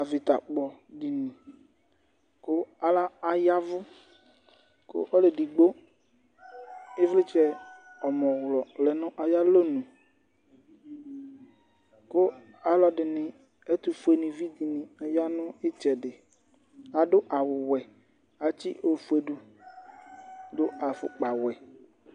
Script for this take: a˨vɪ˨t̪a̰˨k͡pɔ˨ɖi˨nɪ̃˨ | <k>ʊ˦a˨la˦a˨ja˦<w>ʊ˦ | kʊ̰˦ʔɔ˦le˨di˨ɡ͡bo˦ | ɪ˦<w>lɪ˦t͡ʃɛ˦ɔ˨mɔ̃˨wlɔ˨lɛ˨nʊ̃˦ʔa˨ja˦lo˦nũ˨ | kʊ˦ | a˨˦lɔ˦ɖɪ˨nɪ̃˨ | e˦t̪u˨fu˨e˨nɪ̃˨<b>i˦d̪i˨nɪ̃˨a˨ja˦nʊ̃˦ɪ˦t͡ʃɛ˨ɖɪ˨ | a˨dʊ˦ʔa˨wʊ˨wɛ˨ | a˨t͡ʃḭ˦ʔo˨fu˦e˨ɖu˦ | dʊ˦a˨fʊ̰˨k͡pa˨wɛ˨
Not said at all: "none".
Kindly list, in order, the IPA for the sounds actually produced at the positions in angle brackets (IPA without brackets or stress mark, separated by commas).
k, v, v, v